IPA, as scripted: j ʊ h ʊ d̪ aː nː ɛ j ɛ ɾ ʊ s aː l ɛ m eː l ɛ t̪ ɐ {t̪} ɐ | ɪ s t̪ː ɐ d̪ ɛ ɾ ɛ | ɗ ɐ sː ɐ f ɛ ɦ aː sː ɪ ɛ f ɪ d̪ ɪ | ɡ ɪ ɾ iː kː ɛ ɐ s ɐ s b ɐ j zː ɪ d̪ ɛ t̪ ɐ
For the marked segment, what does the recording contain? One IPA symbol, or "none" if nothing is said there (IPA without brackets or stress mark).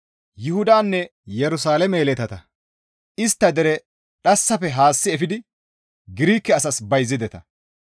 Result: t̪